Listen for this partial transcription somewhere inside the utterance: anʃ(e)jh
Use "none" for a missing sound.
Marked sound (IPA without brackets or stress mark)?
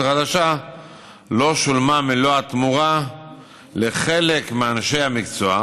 e